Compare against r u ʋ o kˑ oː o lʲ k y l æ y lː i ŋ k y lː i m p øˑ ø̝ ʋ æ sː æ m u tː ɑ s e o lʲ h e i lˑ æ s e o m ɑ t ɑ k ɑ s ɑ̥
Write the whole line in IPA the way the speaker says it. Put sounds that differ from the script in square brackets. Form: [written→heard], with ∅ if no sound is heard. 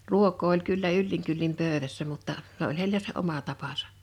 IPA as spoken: r u [ʋ→∅] o kˑ oː o lʲ k y [l→lː] æ y lː i ŋ k y lː i m p øˑ ø̝ ʋ æ sː æ m u tː ɑ s e o lʲ h e i lˑ æ s e o m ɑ t ɑ [k→p] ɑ s ɑ̥